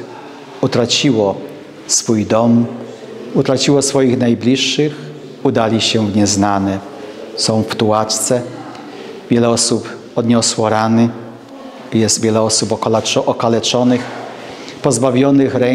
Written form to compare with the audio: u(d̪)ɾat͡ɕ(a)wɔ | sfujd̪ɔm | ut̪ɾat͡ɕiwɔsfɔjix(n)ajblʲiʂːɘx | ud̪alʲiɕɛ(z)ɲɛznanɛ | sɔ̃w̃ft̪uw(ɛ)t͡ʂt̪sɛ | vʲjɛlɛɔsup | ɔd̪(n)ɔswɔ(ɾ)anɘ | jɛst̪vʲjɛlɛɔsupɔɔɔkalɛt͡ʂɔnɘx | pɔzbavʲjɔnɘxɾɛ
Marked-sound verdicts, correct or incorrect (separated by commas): incorrect, incorrect, correct, incorrect, incorrect, incorrect, correct